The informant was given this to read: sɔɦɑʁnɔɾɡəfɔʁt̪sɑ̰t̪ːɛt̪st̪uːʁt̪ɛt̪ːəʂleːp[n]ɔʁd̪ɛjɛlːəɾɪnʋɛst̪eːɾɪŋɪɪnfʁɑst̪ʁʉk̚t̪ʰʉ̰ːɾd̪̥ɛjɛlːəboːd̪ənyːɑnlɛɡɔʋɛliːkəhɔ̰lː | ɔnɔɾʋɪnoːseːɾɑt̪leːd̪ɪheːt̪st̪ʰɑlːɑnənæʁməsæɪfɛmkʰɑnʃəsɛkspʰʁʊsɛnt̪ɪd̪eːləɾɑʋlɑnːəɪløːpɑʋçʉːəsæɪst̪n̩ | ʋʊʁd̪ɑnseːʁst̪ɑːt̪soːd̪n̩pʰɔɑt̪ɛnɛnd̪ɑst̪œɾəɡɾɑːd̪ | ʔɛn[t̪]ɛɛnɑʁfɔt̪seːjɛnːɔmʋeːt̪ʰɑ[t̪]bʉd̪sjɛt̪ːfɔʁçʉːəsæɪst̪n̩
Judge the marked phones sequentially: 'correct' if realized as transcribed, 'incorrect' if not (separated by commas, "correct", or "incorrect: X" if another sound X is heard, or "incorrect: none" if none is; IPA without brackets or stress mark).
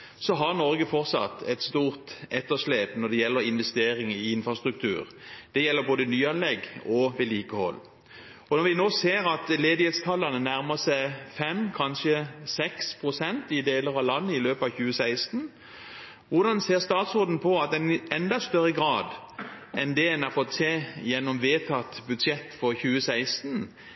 correct, incorrect: d̪, correct